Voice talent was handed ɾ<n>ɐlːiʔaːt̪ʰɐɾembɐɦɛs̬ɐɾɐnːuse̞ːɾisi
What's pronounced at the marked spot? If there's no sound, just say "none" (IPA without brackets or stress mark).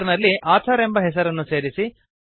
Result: n